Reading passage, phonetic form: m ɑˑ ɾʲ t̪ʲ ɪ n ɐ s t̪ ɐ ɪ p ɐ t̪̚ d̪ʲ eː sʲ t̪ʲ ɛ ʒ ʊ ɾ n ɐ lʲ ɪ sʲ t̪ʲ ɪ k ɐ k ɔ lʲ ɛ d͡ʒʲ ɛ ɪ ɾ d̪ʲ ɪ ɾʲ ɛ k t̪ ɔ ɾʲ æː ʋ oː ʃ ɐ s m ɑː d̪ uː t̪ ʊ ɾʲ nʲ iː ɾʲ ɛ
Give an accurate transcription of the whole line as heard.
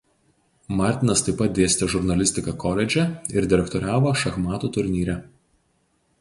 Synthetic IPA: m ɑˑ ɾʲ t̪ʲ ɪ n ɐ s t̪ ɐ ɪ p ɐ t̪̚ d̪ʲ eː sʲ t̪ʲ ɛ ʒ ʊ ɾ n ɐ lʲ ɪ sʲ t̪ʲ ɪ k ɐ k ɔ lʲ ɛ d͡ʒʲ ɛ ɪ ɾ d̪ʲ ɪ ɾʲ ɛ k t̪ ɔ ɾʲ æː ʋ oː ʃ ɐ x m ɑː t̪ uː t̪ ʊ ɾʲ nʲ iː ɾʲ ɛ

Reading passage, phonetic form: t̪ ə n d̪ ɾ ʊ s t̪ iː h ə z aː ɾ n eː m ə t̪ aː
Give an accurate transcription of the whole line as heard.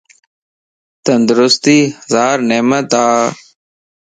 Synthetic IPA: t̪ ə n d̪ ɾ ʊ s t̪ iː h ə z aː ɾ n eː m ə t̪ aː

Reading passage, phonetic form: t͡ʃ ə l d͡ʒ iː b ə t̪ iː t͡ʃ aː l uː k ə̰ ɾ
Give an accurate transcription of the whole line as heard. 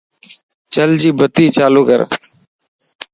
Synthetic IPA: t͡ʃ ə l d͡ʒ iː b ə t̪ iː t͡ʃ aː l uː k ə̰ ɾ

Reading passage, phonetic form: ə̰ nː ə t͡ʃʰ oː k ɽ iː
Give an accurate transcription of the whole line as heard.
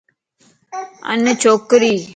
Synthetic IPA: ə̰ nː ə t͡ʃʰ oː k ɾ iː

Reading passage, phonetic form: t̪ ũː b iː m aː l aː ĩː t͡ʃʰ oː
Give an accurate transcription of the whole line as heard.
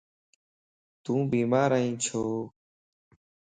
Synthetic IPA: t̪ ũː b iː m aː ɾ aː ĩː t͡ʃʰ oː

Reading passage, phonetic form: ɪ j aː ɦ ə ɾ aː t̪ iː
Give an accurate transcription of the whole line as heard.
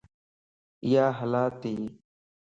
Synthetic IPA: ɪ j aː ɦ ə l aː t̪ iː

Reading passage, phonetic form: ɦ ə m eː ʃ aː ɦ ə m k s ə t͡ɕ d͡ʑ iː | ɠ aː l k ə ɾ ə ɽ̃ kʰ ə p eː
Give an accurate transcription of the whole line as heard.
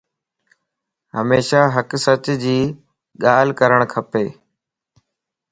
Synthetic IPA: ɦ ə m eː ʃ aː ɦ ə k s ə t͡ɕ d͡ʑ iː | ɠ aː l k ə ɾ ə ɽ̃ kʰ ə p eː

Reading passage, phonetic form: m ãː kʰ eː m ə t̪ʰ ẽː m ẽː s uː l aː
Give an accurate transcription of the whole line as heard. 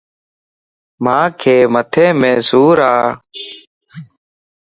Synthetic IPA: m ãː kʰ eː m ə t̪ʰ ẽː m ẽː s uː ɾ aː

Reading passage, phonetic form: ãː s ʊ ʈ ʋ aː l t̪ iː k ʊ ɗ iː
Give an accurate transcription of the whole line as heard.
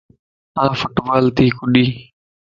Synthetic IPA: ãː f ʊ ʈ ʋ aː l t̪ iː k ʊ ɗ iː

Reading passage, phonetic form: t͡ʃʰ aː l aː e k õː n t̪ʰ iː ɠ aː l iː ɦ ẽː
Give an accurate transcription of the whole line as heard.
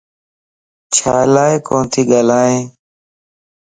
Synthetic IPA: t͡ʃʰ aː l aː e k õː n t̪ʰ iː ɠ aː l aː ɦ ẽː

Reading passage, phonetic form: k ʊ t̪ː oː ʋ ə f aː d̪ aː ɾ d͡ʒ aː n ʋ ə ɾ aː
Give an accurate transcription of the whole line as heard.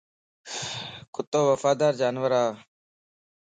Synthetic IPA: k ʊ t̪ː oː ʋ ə f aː d̪ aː ɾ d͡ʒ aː n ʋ ə ɾ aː

